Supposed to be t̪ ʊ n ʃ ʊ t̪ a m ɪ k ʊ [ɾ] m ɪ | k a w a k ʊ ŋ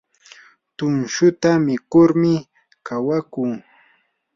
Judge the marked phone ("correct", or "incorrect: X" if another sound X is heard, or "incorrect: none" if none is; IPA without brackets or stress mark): correct